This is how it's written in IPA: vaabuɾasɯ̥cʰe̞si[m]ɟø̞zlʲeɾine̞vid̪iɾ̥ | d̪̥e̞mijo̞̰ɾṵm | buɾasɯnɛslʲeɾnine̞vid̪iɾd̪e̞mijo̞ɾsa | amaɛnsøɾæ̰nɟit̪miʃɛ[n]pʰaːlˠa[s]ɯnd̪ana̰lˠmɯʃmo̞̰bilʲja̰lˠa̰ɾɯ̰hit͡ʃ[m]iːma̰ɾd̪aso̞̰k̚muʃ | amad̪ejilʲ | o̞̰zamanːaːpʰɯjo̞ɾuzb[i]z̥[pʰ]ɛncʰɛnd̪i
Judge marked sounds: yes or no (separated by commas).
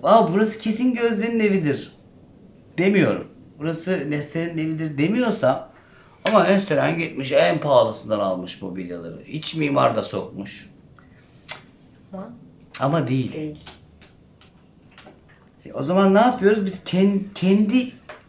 no, yes, yes, yes, yes, no